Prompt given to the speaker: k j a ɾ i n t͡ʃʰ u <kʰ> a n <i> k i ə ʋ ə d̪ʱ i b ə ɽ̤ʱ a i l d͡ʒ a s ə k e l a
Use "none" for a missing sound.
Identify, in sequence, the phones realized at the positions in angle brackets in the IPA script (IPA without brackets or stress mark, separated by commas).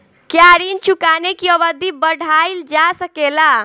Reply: k, e